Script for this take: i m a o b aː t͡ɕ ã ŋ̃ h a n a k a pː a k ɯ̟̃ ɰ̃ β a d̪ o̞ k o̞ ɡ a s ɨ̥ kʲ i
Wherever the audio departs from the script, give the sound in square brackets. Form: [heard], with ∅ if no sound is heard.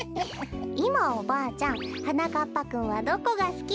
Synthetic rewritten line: i m a o b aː t͡ɕ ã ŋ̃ h a n a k a pː a k ɯ̟̃ ɰ̃ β a d̪ o̞ k o̞ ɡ a s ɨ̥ kʲ i